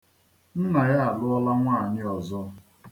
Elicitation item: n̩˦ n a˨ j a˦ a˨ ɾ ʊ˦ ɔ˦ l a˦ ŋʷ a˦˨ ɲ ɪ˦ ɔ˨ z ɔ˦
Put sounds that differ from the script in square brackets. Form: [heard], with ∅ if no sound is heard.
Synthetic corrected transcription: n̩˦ n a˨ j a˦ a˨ [l] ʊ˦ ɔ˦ l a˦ ŋʷ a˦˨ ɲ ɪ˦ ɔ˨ z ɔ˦